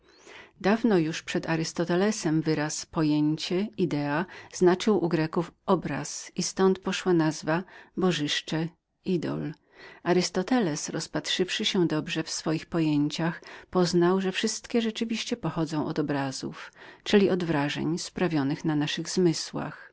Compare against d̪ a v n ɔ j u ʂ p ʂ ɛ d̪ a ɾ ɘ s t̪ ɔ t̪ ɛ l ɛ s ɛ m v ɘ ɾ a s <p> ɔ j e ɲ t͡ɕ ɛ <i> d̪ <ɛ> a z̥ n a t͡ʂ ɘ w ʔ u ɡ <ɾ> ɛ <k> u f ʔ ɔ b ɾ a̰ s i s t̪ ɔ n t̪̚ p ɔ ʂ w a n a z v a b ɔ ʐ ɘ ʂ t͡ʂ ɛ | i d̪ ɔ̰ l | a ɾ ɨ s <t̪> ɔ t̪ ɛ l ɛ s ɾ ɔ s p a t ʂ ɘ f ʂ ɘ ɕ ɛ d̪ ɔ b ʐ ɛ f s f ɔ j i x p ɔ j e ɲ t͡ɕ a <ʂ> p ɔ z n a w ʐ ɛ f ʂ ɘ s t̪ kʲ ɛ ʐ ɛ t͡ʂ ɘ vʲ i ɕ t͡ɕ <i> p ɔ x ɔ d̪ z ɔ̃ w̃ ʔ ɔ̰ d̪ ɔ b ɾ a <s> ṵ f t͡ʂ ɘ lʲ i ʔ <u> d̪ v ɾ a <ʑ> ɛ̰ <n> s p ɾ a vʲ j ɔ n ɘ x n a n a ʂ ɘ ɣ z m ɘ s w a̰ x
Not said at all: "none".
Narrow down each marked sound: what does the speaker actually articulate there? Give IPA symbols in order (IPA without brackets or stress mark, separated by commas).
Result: p, i, ɛ, ɾ, k, t̪, x, ɛ, z, ɔ, ʐ, ɲ